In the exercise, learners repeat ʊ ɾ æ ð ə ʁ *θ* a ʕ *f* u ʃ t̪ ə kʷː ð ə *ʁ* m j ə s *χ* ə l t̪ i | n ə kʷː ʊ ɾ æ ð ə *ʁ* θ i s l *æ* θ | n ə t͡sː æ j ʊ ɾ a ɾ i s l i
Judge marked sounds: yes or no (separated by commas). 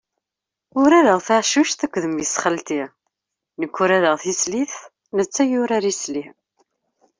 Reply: yes, no, no, yes, yes, no